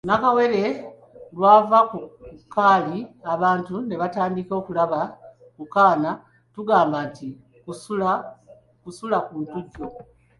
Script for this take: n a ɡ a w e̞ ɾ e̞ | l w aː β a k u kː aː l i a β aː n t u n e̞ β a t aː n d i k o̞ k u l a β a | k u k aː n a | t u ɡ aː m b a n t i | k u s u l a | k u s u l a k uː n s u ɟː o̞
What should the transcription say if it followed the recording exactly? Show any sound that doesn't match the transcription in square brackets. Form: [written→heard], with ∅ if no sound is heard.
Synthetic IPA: n a [ɡ→k] a w e̞ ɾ e̞ | l w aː [β→v] a k u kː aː l i a β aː n t u n e̞ β a t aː n d i k o̞ k u l a β a | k u k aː n a | t u ɡ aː m b a n t i | k u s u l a | k u s u l a k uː n [s→t] u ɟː o̞